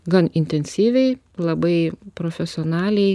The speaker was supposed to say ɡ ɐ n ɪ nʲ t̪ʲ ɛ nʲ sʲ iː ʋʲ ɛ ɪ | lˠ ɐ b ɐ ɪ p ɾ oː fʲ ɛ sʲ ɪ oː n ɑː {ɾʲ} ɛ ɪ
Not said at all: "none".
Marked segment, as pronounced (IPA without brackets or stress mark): lʲ